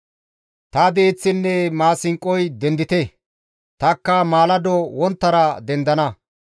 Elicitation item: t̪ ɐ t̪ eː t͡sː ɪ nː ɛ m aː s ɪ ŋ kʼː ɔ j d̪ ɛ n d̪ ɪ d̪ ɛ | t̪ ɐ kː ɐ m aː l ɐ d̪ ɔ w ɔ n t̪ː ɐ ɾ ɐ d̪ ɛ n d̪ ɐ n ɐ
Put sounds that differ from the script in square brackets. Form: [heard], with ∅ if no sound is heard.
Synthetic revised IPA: t̪ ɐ [d̪] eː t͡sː ɪ nː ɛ m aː s ɪ ŋ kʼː ɔ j d̪ ɛ n d̪ ɪ [t̪] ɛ | t̪ ɐ kː ɐ m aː l ɐ d̪ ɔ w ɔ n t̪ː ɐ ɾ ɐ d̪ ɛ n d̪ ɐ n ɐ